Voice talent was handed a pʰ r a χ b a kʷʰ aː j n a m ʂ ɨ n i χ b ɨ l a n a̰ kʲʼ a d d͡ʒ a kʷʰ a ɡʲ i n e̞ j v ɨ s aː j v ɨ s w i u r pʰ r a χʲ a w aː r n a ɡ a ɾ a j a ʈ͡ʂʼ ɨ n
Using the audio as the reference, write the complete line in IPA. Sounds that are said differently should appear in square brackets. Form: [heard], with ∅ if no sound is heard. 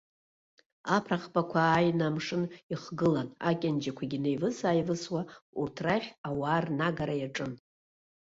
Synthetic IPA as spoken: a pʰ r a χ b a kʷʰ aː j n a m ʂ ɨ n i χ [ɡ] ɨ l a n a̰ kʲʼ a [n] d͡ʒ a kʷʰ a ɡʲ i n e̞ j v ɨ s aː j v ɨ s w [a] u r [tʰ] r a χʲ a w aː r n a ɡ a ɾ a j a ʈ͡ʂʼ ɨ n